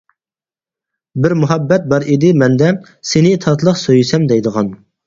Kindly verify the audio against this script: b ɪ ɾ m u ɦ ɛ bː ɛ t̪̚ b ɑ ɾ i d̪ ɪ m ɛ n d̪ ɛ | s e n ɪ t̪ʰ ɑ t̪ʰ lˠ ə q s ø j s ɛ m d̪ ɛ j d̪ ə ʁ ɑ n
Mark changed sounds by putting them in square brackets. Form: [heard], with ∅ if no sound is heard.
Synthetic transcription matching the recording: b ɪ ɾ m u ɦ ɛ bː ɛ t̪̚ b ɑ ɾ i d̪ ɪ m ɛ n d̪ ɛ | s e n ɪ t̪ʰ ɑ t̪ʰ lˠ ə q s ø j s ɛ m d̪ ɛ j d̪ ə ʁ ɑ n